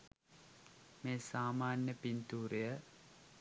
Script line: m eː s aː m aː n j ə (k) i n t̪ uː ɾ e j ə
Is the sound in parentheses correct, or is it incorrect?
incorrect